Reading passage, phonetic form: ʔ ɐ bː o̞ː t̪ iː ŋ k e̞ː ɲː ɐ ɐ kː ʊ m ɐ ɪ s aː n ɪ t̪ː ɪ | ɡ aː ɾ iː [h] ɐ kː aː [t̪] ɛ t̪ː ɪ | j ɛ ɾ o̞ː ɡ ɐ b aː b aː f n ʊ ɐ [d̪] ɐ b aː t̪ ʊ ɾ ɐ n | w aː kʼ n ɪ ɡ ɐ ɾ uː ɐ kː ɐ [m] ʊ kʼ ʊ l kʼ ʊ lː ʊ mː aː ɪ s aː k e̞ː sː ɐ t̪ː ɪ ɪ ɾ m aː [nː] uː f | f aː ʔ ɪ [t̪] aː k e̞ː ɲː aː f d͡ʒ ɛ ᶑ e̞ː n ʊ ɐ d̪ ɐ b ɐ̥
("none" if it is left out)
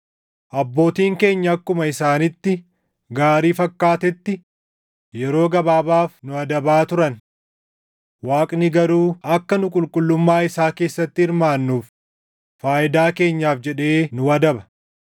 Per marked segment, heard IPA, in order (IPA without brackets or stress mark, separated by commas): f, t̪, d̪, n, nː, d̪